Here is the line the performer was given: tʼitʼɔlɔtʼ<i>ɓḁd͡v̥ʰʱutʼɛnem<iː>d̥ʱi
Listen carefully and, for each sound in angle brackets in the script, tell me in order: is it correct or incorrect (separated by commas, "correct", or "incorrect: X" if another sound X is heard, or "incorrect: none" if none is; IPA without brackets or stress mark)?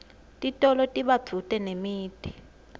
correct, correct